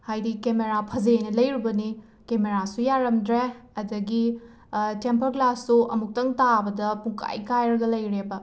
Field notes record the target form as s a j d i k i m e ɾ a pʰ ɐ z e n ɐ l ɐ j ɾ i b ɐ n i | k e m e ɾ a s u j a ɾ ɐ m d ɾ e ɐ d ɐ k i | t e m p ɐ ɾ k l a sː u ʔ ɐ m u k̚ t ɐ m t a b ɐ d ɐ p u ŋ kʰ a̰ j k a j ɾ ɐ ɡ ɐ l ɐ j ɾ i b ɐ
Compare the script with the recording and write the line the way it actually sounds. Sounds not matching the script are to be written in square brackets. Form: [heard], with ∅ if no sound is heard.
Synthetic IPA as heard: [h] a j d i k [e] m e ɾ a pʰ ɐ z e n ɐ l ɐ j ɾ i b ɐ n i | k e m e ɾ a s u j a ɾ ɐ m d ɾ e ɐ d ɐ [ɡ] i | t e m p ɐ ɾ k l a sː u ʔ ɐ m u k̚ t ɐ [ŋ] t a b ɐ d ɐ p u ŋ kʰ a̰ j k a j ɾ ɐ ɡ ɐ l ɐ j ɾ [e] b ɐ